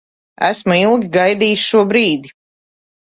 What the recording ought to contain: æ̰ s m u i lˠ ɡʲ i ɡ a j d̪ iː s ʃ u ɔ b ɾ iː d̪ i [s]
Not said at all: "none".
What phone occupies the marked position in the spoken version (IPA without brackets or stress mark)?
none